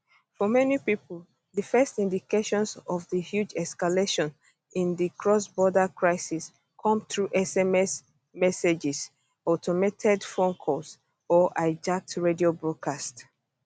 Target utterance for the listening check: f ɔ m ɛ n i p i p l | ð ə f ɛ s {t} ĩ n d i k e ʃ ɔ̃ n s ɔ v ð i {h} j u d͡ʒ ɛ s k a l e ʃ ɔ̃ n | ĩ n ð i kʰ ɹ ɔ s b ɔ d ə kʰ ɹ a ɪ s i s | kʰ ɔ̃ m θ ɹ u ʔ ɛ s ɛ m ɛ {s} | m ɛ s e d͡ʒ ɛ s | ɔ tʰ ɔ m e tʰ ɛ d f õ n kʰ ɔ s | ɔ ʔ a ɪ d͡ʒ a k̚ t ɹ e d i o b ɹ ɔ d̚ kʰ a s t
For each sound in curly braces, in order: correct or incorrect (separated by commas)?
correct, correct, correct